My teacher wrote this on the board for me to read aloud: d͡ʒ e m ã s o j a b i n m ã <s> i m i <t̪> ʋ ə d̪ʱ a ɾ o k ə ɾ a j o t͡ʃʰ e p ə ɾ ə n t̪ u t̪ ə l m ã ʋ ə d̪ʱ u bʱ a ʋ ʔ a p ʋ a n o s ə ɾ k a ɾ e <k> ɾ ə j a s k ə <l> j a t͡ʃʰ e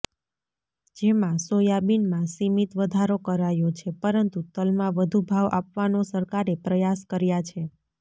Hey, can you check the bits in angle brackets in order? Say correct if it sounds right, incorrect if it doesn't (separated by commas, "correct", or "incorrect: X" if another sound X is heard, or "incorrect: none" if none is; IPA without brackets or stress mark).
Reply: correct, correct, incorrect: p, incorrect: ɾ